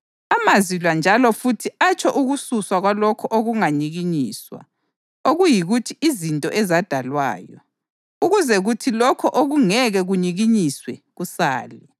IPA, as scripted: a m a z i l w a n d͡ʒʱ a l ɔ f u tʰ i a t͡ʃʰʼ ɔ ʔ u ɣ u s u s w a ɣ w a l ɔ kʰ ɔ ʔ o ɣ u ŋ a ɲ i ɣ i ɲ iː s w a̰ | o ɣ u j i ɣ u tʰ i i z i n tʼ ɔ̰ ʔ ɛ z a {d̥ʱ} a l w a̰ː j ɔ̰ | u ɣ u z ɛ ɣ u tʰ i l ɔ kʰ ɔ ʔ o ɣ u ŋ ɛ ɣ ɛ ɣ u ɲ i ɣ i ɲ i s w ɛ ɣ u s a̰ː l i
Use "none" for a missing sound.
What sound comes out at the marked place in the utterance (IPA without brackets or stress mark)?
d̥ʱ